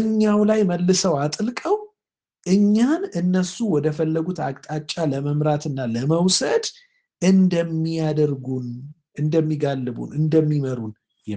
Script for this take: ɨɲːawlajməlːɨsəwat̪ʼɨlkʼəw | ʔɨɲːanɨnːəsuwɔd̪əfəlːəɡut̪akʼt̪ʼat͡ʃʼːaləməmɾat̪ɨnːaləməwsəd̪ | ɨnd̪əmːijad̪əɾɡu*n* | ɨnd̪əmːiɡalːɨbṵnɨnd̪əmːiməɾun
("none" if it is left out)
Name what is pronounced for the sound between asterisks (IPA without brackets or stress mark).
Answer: n